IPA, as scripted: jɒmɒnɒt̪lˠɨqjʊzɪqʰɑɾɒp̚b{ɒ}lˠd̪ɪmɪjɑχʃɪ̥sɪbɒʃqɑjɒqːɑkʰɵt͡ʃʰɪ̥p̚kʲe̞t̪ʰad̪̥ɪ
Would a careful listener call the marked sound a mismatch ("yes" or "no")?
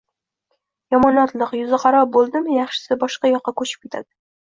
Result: yes